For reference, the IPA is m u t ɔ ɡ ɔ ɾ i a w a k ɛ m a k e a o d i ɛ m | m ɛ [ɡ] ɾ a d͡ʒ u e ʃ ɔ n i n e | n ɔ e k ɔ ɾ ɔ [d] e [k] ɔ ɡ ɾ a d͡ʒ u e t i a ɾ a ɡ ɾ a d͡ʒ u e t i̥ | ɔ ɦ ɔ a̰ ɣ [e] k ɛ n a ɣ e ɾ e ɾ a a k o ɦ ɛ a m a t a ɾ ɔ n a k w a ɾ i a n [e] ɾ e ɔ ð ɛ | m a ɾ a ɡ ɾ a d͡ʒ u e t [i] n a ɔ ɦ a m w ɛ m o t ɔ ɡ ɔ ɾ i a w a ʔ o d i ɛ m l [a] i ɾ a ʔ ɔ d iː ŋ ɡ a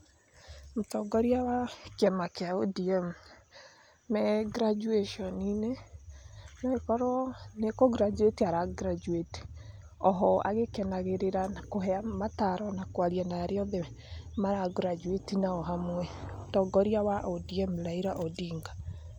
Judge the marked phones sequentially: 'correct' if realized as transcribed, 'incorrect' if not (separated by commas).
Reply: correct, incorrect, correct, correct, incorrect, correct, correct